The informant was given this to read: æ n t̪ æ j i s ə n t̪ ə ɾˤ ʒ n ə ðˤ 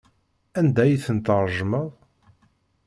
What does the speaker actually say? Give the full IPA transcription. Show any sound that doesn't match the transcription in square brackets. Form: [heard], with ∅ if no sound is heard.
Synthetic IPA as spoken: æ n [d̪] æ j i [θ] ə n t̪ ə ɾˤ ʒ [m] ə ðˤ